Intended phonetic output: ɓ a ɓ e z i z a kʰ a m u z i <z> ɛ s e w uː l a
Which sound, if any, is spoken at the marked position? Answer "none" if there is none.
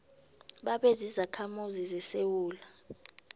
z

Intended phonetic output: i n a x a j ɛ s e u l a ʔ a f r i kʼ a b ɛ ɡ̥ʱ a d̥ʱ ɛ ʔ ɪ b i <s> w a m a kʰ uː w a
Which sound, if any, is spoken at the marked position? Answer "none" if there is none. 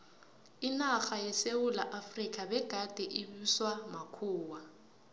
s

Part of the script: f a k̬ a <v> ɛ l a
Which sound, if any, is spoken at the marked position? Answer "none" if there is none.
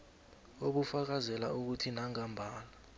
z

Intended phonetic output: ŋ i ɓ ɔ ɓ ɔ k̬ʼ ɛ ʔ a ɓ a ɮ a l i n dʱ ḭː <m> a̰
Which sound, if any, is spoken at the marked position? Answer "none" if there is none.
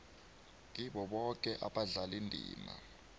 m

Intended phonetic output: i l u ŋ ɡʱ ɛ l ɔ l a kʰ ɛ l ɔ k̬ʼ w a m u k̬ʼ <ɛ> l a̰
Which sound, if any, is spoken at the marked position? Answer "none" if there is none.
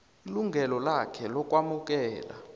ɛː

